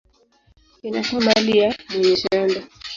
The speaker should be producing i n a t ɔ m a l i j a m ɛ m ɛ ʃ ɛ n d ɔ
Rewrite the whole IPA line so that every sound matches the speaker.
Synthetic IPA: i n a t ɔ m a l i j a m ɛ ɲ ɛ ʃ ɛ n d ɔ